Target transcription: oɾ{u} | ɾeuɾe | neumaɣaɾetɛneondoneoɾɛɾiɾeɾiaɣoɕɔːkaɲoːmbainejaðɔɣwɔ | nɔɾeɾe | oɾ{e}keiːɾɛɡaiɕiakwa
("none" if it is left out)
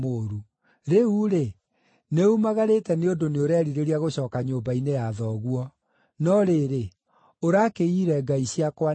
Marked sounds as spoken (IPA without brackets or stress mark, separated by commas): u, a